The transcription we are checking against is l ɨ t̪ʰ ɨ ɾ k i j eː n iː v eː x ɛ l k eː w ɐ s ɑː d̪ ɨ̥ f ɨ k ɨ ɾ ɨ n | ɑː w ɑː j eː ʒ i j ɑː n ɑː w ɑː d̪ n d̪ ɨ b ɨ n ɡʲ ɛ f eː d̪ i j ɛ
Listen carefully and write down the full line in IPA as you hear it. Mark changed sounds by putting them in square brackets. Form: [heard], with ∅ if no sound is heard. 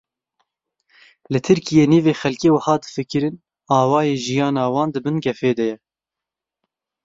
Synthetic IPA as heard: l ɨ t̪ʰ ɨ ɾ k i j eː n iː v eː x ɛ l k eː w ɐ [h] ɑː d̪ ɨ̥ f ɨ k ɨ ɾ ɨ n | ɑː w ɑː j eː ʒ i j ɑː n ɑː w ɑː [∅] n d̪ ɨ b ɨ n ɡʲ ɛ f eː d̪ [ɛ] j ɛ